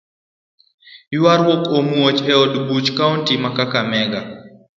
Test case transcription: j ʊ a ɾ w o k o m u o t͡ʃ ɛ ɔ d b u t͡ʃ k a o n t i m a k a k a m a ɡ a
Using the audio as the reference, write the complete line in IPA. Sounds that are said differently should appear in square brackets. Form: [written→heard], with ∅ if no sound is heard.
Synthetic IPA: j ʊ a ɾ w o k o m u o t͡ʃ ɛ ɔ d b u t͡ʃ k a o n t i m a k a k a m [a→ɛ] ɡ a